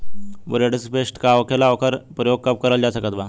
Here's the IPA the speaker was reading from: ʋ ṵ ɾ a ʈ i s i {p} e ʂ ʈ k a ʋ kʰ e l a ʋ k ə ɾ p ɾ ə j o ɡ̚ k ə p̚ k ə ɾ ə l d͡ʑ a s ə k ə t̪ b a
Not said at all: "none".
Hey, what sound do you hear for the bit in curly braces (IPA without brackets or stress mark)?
p